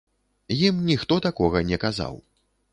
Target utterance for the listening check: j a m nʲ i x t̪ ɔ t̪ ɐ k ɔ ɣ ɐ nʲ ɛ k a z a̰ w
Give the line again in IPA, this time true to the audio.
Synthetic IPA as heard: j i m nʲ i x t̪ ɔ t̪ a k ɔ ɣ ɐ nʲ ɛ k a z a̰ w